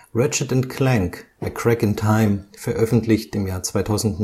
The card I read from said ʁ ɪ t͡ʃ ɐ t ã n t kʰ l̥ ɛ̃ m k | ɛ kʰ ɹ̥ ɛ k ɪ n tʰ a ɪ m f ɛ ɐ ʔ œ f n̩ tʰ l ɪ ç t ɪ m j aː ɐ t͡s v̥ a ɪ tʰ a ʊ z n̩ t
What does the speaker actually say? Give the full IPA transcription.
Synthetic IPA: ʁ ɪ t͡ʃ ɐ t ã n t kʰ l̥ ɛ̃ ŋ k | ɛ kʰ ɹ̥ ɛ k ɪ n tʰ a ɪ m f ɛ ɐ ʔ œ f n̩ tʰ l ɪ ç t ɪ m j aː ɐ t͡s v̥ a ɪ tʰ a ʊ z n̩ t